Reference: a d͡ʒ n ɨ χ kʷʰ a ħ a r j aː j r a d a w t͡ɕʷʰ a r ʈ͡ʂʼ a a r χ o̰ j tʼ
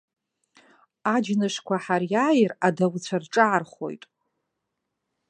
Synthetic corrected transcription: a d͡ʒ n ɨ ʂ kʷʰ a ħ a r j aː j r a d a w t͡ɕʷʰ a r ʈ͡ʂʼ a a r χ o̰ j tʼ